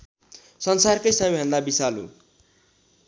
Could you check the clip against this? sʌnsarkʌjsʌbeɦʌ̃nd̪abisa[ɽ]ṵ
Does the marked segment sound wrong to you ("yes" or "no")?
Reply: yes